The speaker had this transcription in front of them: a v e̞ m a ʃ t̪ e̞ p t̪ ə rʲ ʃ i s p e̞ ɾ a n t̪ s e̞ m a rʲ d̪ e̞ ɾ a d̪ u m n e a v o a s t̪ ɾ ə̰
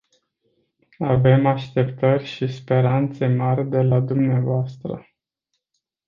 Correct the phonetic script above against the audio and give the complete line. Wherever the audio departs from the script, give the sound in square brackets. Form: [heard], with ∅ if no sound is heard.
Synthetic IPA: a v e̞ m a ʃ t̪ e̞ p t̪ ə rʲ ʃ i s p e̞ ɾ a n t̪ s e̞ m a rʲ d̪ e̞ [l] a d̪ u m n e a v o a s t̪ ɾ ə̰